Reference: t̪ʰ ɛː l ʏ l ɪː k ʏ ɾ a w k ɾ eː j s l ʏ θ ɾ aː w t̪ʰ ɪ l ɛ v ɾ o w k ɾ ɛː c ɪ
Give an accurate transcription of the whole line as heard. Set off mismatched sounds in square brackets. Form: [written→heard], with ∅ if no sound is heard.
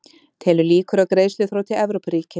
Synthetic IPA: t̪ʰ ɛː l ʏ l [ɪː→iː] k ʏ ɾ a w k ɾ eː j s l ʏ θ ɾ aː w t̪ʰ ɪ l ɛ v ɾ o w [k→p] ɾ [ɛː→iː] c ɪ